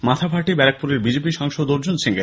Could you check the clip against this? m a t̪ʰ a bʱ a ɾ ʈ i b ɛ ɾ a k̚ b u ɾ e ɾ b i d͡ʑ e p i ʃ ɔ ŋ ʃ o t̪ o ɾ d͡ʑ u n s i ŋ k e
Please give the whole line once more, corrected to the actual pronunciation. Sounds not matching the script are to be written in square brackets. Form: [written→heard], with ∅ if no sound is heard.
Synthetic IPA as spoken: m a t̪ʰ a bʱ a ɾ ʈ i b ɛ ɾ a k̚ [b→p] u ɾ e ɾ b i d͡ʑ e p i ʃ ɔ ŋ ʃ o [t̪→d̪] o ɾ d͡ʑ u n s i ŋ [k→ɡ] e